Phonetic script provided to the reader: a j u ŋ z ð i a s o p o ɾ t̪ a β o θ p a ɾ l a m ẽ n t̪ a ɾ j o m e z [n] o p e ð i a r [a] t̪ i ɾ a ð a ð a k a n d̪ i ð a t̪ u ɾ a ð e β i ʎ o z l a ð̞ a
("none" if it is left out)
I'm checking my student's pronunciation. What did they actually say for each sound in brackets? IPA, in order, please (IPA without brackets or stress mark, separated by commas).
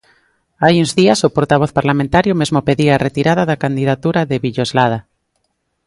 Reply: m, e